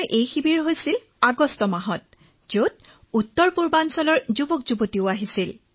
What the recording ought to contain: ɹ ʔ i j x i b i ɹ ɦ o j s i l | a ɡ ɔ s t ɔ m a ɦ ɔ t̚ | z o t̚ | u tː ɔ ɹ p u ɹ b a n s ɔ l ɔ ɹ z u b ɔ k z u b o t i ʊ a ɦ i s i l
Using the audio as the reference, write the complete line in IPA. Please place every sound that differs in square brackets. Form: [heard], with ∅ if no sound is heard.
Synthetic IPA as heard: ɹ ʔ [e] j x i b i ɹ ɦ o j s i l | a ɡ ɔ s t ɔ m a ɦ ɔ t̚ | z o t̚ | u tː ɔ ɹ p u ɹ b a n s ɔ l ɔ ɹ z u b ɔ k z u b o t i ʊ a ɦ i s i l